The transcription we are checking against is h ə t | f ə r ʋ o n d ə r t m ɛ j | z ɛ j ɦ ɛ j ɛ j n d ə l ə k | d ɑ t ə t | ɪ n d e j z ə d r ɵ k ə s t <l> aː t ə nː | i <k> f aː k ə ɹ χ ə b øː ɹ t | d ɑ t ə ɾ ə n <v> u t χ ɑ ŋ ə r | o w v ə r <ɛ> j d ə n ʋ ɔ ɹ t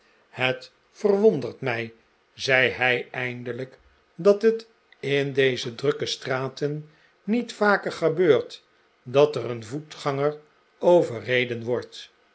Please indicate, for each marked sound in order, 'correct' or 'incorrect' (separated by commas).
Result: incorrect, incorrect, correct, incorrect